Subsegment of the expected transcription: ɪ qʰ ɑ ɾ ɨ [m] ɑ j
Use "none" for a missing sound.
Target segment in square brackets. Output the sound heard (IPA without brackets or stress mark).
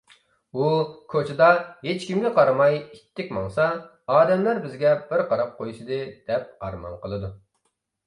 m